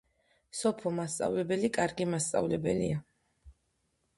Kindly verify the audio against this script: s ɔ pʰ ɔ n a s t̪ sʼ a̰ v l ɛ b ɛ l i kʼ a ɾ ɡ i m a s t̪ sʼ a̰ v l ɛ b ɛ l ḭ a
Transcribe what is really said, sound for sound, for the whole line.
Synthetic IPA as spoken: s ɔ pʰ ɔ m a s t̪ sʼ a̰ v l ɛ b ɛ l i kʼ a ɾ ɡ i m a s t̪ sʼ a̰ v l ɛ b ɛ l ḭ a

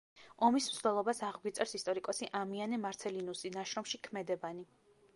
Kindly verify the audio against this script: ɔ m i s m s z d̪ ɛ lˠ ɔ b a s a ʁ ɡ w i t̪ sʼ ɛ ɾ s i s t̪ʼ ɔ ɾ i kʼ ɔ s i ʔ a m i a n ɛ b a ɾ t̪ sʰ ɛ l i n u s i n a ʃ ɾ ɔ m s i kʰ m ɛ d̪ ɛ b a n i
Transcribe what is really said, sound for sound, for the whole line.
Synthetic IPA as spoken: ɔ m i s m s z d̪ ɛ lˠ ɔ b a s a ʁ ɡ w i t̪ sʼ ɛ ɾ s i s t̪ʼ ɔ ɾ i kʼ ɔ s i ʔ a m i a n ɛ m a ɾ t̪ sʰ ɛ l i n u s i n a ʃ ɾ ɔ m ʃ i kʰ m ɛ d̪ ɛ b a n i

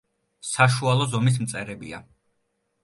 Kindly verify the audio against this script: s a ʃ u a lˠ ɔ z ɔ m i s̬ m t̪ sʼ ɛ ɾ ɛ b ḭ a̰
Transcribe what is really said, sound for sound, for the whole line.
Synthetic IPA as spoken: s a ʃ u a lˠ ɔ z ɔ m i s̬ m t̪ sʼ ɛ ɾ ɛ b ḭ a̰

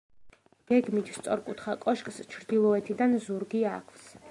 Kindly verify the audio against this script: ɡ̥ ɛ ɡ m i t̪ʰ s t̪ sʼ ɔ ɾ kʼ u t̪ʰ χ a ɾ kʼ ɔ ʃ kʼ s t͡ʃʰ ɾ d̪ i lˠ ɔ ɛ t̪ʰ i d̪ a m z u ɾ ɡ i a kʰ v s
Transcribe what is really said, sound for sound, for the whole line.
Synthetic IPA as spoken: ɡ̥ ɛ ɡ m i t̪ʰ s t̪ sʼ ɔ ɾ kʼ u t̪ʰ χ a kʼ ɔ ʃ kʼ s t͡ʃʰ ɾ d̪ i lˠ ɔ ɛ t̪ʰ i d̪ a n z u ɾ ɡ i a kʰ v s

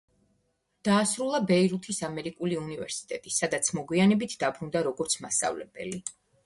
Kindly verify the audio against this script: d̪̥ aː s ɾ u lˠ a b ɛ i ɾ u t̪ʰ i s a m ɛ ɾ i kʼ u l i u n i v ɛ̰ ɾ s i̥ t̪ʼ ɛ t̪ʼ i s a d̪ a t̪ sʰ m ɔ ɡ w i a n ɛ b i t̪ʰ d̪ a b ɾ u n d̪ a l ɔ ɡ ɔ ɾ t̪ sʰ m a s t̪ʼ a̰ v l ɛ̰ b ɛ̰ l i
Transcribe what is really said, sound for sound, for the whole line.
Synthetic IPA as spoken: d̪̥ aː s ɾ u lˠ a b ɛ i ɾ u t̪ʰ i s a m ɛ ɾ i kʼ u l i u n i v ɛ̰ ɾ s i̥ t̪ʼ ɛ t̪ʼ i s a d̪ a t̪ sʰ m ɔ ɡ w i a n ɛ b i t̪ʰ d̪ a b ɾ u n d̪ a ɾ ɔ ɡ ɔ ɾ t̪ sʰ m a s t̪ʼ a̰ v l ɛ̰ b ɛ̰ l i

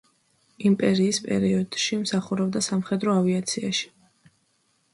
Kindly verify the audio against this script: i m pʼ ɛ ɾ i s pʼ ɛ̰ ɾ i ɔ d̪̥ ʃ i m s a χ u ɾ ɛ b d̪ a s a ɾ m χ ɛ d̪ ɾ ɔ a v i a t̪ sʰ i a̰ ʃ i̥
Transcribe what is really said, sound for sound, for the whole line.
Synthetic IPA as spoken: i m pʼ ɛ ɾ iː s pʼ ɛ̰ ɾ i ɔ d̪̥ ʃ i m s a χ u ɾ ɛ b d̪ a s a m χ ɛ d̪ ɾ ɔ a v i a t̪ sʰ i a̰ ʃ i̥

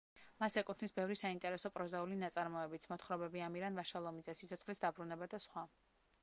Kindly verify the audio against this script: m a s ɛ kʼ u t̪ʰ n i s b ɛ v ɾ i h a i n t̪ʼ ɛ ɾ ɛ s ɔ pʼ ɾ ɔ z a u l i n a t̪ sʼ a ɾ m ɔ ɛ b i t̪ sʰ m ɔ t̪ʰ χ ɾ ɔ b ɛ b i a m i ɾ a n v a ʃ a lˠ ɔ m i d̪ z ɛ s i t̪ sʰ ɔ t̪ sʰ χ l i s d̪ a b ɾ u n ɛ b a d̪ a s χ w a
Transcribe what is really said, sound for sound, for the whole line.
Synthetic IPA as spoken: m a s ɛ kʼ u t̪ʰ n i s b ɛ v ɾ i s a i n t̪ʼ ɛ ɾ ɛ s ɔ pʼ ɾ ɔ z a u l i n a t̪ sʼ a ɾ m ɔ ɛ b i t̪ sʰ m ɔ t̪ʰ χ ɾ ɔ b ɛ b i a m i ɾ a n v a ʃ a lˠ ɔ m i d̪ z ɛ s i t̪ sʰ ɔ t̪ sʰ χ l i s d̪ a b ɾ u n ɛ b a d̪ a s χ w a

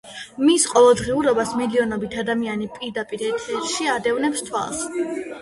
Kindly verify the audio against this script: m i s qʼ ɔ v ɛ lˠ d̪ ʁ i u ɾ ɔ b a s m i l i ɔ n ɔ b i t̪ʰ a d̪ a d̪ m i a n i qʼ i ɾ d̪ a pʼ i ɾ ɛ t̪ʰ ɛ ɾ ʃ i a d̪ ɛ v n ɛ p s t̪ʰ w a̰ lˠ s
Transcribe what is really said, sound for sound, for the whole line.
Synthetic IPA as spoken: m i s qʼ ɔ v ɛ lˠ d̪ ʁ i u ɾ ɔ b a s m i l i ɔ n ɔ b i t̪ʰ a d̪ a m i a n i pʼ i ɾ d̪ a pʼ i ɾ ɛ t̪ʰ ɛ ɾ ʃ i a d̪ ɛ v n ɛ p s t̪ʰ w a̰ lˠ s

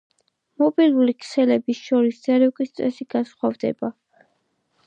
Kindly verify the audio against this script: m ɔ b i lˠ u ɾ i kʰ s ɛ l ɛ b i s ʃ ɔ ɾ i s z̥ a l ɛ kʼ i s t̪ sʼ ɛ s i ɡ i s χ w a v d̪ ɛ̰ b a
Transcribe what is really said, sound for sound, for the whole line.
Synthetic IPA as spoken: m ɔ b i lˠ u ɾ i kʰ s ɛ l ɛ b i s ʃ ɔ ɾ i s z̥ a ɾ ɛ kʼ i s t̪ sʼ ɛ s i ɡ a s χ w a v d̪ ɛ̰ b a

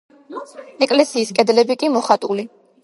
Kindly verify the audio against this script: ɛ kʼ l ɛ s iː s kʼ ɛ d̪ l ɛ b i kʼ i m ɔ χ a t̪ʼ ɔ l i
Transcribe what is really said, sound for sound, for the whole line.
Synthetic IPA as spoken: ɛ kʼ l ɛ s iː s kʼ ɛ d̪ l ɛ b i kʼ i m ɔ χ a t̪ʼ u l i

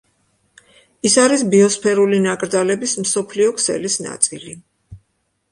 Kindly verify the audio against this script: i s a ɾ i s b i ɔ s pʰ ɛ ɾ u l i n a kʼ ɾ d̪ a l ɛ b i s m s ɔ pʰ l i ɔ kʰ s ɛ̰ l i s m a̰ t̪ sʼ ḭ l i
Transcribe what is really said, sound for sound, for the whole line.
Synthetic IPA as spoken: i s a ɾ i s b i ɔ s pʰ ɛ ɾ u l i n a kʼ ɾ d̪ a l ɛ b i s m s ɔ pʰ l i ɔ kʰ s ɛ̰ l i s n a̰ t̪ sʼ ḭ l i

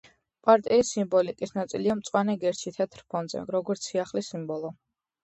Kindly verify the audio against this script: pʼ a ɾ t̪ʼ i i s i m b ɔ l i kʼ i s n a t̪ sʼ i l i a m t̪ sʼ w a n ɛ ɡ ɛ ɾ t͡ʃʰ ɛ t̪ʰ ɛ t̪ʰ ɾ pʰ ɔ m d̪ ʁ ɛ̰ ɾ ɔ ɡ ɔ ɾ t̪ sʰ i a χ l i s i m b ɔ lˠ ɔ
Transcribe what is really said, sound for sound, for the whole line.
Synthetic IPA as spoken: pʼ a ɾ t̪ʼ i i s i m b ɔ l i kʼ i s n a t̪ sʼ i l i a m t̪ sʼ w a n ɛ ɡ ɛ ɾ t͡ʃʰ i t̪ʰ ɛ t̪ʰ ɾ pʰ ɔ n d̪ z ɛ̰ ɾ ɔ ɡ ɔ ɾ t̪ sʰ i a χ l i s i m b ɔ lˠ ɔ

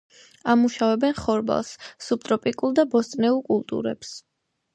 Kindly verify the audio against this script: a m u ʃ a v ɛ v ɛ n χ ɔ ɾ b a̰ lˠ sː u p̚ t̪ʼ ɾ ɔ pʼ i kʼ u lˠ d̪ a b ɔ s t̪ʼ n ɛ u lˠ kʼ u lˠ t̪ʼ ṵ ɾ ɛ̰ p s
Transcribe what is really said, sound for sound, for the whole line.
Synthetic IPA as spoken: a m u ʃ a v ɛ b ɛ n χ ɔ ɾ b a̰ lˠ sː u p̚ t̪ʼ ɾ ɔ pʼ i kʼ u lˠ d̪ a b ɔ s t̪ʼ n ɛ u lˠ kʼ u lˠ t̪ʼ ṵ ɾ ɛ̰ p s

